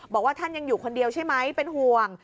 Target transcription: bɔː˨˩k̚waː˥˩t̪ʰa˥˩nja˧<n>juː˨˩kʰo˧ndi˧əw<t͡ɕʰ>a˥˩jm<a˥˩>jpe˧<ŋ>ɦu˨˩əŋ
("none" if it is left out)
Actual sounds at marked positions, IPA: ŋ, t͡ɕʰ, a˦˥, n

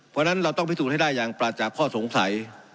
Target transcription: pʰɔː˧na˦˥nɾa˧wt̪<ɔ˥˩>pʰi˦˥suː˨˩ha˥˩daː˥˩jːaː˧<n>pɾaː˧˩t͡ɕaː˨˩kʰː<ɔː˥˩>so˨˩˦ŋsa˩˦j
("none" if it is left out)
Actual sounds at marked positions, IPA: ɔ˥˩, ŋ, ɔː˥˩

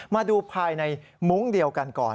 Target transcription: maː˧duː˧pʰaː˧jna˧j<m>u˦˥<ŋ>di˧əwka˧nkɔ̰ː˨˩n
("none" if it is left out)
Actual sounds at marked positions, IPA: m, ŋ

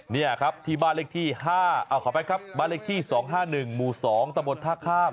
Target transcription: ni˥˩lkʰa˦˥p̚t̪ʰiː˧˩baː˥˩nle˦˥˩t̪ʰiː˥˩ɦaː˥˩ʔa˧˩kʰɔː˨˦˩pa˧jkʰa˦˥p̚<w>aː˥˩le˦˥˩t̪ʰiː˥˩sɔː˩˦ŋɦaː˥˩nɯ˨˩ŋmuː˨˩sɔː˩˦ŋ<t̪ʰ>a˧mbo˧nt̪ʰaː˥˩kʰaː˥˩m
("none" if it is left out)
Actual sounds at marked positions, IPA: b, t̪

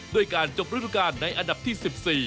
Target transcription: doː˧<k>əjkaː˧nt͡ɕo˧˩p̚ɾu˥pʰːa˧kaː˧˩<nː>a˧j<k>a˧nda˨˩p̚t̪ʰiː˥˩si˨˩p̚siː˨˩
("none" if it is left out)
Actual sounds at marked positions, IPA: none, nː, ʔ

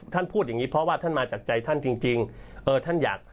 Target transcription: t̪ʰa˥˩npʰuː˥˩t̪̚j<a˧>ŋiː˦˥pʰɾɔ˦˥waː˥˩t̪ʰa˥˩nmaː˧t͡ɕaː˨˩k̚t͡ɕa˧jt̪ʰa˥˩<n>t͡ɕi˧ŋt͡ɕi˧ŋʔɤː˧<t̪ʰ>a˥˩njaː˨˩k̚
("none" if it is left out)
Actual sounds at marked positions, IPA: a˨˩, n, t̪ʰ

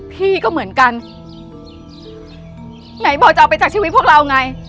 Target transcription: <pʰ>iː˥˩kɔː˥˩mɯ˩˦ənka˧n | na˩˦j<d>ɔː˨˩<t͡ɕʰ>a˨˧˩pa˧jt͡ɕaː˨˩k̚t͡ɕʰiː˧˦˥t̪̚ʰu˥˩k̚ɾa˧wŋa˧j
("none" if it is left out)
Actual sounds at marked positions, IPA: pʰ, b, t͡ɕ

